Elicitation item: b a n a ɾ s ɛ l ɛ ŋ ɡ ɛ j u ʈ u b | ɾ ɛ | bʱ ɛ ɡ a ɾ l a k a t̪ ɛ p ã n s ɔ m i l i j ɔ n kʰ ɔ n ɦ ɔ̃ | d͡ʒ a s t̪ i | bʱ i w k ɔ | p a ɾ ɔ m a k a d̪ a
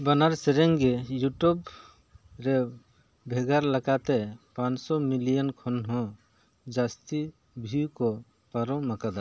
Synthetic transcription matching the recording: b a n a ɾ s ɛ ɾ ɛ ŋ ɡ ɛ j u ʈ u b | ɾ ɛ | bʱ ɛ ɡ a ɾ l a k a t̪ ɛ p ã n s ɔ m i l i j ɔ n kʰ ɔ n ɦ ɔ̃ | d͡ʒ a s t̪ i | bʱ i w k ɔ | p a ɾ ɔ m a k a d̪ a